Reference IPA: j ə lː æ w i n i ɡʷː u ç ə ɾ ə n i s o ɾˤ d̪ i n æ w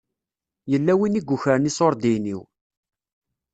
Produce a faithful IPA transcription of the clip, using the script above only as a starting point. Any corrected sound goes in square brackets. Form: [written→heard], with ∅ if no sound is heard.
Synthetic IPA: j ə lː æ w i n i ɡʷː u ç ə ɾ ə n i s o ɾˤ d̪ i n [æ→i] w